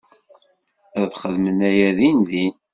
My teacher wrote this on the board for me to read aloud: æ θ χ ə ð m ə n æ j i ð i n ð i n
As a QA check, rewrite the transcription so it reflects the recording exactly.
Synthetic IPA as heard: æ ð χ ə ð m ə n æ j æ ð i n ð i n